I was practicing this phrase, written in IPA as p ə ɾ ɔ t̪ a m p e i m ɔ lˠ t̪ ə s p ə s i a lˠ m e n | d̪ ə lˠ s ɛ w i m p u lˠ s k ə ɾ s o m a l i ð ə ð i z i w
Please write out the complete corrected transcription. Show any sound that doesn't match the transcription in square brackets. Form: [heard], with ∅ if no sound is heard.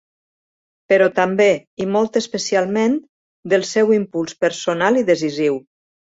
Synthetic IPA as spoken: p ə ɾ ɔ t̪ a m [b] e i m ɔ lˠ t̪ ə s p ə s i a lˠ m e n | d̪ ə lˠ s ɛ w i m p u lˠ s [p] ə ɾ s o [n] a l i ð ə [z] i z i w